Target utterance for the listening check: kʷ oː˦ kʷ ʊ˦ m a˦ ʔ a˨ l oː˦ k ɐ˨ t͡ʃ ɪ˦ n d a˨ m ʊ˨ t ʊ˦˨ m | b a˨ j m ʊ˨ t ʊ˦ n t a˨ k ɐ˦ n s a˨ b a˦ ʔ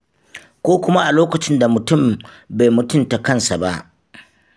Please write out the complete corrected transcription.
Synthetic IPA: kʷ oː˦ kʷ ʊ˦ m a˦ ʔ a˨ l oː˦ k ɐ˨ t͡ʃ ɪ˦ n d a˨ m ʊ˨ t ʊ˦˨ m | b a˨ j m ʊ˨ t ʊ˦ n t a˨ k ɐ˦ n s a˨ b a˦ ʔ

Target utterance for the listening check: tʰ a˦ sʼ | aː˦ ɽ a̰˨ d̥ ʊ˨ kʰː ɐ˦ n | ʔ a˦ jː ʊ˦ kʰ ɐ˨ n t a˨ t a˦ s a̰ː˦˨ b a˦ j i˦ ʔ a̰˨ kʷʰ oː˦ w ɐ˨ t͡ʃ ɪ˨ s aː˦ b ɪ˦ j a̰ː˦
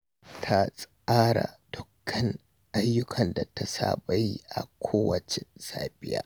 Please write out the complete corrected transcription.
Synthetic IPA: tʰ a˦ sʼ | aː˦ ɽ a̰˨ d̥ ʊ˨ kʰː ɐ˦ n | ʔ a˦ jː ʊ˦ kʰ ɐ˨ n d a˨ t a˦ s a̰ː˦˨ b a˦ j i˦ ʔ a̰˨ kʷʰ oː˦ w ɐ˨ t͡ʃ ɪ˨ s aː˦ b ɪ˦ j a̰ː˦

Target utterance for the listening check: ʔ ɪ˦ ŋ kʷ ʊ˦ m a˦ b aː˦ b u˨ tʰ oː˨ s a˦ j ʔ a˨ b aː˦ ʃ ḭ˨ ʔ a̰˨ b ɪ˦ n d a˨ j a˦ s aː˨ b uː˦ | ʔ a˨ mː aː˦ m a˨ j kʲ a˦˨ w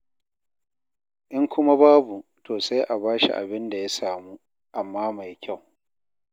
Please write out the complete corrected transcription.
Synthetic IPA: ʔ ɪ˦ ŋ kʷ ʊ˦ m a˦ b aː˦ b u˨ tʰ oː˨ s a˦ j ʔ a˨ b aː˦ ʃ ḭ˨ ʔ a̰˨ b ɪ˦ n d a˨ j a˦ s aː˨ m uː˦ | ʔ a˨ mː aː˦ m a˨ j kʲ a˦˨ w

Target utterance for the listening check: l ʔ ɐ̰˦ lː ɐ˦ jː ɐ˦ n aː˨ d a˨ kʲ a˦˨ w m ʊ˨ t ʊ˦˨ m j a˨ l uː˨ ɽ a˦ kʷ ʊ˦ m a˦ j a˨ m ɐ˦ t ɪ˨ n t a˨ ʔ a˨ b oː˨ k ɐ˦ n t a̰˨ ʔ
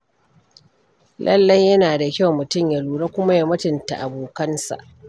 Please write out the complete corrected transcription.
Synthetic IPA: l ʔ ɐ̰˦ lː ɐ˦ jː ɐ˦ n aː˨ d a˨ kʲ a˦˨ w m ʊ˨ t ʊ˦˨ m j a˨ l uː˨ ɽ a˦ kʷ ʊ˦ m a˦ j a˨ m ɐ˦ t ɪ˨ n t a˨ ʔ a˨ b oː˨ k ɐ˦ n s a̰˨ ʔ

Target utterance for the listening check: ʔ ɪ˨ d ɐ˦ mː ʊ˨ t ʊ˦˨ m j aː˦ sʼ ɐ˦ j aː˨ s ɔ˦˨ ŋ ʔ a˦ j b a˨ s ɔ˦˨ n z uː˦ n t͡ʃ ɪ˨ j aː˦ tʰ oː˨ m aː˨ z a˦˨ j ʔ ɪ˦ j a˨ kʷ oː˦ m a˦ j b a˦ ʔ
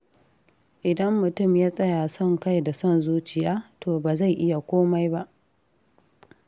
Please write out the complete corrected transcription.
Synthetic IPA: ʔ ɪ˨ d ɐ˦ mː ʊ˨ t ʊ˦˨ m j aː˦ sʼ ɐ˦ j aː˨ s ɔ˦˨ ŋ k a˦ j d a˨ s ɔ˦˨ n z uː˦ t͡ʃ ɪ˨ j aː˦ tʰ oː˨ b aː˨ z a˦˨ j ʔ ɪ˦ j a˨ kʷ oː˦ m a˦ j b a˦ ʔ

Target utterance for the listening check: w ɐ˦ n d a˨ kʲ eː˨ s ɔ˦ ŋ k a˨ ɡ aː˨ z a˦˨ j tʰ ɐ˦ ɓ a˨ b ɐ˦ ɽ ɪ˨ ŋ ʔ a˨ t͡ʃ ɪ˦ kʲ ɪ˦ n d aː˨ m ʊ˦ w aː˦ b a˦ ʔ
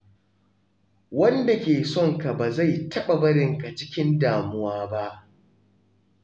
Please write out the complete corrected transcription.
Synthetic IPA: w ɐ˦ n d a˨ kʲ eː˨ s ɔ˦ ŋ k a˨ b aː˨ z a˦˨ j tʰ ɐ˦ ɓ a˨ b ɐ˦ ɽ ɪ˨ ŋ k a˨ t͡ʃ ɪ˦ kʲ ɪ˦ n d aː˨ m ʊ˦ w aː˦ b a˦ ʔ

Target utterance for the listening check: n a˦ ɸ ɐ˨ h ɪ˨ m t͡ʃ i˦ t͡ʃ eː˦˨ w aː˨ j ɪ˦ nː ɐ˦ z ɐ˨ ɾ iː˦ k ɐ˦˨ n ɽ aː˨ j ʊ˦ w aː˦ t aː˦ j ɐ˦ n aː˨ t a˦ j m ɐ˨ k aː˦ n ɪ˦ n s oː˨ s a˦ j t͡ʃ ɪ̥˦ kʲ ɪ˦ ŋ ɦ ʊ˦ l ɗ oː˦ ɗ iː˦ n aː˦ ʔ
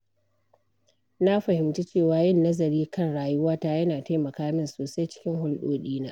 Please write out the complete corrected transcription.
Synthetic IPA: n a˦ ɸ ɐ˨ h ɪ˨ m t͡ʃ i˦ t͡ʃ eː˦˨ w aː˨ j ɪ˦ nː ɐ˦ z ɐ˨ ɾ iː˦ k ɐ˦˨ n ɽ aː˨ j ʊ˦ w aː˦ t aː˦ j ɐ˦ n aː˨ t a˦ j m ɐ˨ k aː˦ m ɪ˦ n s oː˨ s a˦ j t͡ʃ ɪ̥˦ kʲ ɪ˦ ŋ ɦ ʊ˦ l ɗ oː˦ ɗ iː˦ n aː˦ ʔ

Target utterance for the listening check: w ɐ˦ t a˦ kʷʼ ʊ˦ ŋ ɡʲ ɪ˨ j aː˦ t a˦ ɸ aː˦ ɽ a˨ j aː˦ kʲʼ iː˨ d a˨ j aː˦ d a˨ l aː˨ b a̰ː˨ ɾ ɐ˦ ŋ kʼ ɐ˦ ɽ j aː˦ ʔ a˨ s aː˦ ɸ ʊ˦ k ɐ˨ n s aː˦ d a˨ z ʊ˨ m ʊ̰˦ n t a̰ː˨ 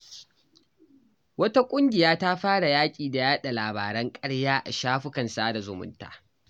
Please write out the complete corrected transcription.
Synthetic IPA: w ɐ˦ t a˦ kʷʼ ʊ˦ ŋ ɡʲ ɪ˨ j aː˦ t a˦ ɸ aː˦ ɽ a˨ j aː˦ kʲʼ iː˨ d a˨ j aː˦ ɗ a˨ l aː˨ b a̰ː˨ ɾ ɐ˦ ŋ kʼ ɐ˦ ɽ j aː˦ ʔ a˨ ʃ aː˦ ɸ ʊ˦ k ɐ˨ n s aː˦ d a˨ z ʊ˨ m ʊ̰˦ n t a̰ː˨

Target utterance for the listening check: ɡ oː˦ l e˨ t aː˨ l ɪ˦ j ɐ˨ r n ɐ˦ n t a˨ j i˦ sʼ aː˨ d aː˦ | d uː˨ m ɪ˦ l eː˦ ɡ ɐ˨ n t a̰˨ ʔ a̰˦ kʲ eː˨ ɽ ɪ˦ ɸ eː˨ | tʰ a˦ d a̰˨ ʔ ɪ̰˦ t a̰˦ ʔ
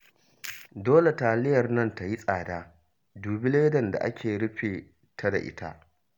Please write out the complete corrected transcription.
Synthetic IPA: d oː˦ l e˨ t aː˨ l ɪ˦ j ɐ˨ r n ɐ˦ n t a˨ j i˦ sʼ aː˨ d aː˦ | d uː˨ b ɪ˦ l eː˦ d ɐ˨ n d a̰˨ ʔ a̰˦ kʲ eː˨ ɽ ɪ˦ ɸ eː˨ | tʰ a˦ d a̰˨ ʔ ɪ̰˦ t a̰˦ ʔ

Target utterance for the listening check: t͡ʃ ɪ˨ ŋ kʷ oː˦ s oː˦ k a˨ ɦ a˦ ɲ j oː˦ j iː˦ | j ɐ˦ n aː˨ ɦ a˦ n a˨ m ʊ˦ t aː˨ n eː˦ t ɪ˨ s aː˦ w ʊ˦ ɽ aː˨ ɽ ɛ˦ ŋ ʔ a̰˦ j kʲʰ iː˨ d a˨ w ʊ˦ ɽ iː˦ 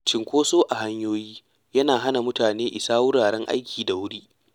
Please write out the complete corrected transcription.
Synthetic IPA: t͡ʃ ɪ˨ ŋ kʷ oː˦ s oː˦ ʔ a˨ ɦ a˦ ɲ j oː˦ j iː˦ | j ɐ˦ n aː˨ ɦ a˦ n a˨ m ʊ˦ t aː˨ n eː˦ ʔ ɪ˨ s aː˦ w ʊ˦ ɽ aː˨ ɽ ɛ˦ ŋ ʔ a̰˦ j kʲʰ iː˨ d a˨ w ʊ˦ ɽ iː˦

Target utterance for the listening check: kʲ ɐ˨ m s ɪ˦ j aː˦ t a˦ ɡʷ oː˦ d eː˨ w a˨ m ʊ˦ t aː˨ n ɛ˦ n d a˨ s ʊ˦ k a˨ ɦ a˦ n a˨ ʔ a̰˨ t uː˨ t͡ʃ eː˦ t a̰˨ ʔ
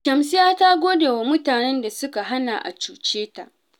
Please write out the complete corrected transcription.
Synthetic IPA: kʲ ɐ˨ m s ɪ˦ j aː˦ t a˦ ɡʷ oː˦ d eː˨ w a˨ m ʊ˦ t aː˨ n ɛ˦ n d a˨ s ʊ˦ k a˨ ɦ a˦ n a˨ ʔ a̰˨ t͡ʃ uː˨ t͡ʃ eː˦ t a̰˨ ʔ

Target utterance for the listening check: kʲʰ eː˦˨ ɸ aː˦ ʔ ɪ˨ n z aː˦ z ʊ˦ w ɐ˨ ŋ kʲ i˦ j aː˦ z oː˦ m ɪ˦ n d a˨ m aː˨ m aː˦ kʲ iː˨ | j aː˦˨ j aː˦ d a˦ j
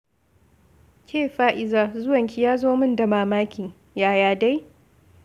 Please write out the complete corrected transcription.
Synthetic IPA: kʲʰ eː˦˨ ɸ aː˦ ʔ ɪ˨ z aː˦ z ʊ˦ w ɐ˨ ŋ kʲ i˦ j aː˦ z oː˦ m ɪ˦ n d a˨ m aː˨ m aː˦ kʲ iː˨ | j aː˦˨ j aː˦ d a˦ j

